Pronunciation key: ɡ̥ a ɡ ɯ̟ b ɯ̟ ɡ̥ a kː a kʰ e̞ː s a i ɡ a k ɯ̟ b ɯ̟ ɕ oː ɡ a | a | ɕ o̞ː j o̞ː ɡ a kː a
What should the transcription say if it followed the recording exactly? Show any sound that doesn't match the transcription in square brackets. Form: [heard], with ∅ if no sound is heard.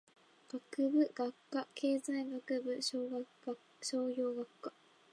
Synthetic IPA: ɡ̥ a [k] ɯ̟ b ɯ̟ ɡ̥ a kː a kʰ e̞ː [z] a i ɡ a k ɯ̟ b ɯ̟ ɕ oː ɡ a | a | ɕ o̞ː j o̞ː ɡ a kː a